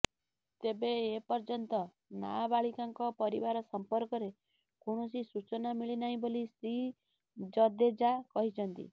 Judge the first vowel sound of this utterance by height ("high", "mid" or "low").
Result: mid